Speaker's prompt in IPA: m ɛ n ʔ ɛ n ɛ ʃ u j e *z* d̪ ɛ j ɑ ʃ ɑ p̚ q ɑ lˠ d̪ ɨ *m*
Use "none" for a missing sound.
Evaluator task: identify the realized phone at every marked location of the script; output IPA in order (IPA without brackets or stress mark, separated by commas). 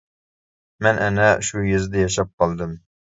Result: z, m